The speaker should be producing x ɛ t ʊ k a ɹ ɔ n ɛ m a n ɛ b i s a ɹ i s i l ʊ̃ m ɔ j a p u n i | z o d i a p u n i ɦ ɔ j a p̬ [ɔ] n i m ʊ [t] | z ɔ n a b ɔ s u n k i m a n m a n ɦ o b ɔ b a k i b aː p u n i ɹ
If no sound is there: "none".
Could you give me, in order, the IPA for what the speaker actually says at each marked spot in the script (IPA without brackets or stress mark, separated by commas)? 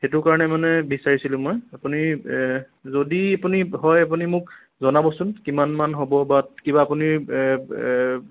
u, k